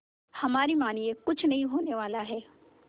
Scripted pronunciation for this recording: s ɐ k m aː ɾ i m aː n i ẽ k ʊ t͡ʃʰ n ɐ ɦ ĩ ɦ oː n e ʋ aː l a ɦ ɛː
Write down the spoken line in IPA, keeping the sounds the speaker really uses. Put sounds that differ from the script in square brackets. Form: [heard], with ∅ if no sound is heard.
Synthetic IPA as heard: [h] ɐ [∅] m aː ɾ i m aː n i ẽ k ʊ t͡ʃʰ n ɐ ɦ ĩ ɦ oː n e ʋ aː l a ɦ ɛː